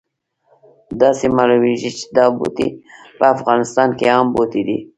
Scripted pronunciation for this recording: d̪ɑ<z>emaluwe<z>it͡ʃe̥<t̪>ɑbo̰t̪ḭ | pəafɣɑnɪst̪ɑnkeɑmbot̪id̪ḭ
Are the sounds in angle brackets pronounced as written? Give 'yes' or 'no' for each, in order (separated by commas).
no, no, no